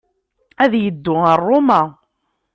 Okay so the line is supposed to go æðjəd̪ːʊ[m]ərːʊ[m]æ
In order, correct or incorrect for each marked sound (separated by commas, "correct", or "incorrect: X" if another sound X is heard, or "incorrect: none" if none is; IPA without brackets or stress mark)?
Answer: incorrect: none, correct